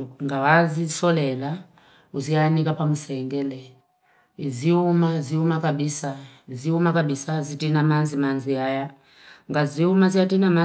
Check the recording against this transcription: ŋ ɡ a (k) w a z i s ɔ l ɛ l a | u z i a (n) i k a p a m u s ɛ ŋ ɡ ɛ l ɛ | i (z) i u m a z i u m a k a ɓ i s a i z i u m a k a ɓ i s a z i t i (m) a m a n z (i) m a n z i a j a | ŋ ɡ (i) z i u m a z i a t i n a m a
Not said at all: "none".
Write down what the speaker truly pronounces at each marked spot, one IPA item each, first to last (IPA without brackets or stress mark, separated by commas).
none, n, z, n, i, a